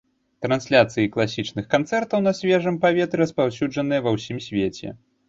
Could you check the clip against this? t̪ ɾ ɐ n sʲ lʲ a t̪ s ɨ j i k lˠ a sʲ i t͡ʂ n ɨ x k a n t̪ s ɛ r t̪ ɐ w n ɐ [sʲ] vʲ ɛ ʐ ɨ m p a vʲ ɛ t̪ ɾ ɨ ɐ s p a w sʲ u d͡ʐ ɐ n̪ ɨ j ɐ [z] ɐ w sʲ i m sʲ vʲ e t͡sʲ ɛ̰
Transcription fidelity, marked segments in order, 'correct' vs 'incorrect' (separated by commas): correct, incorrect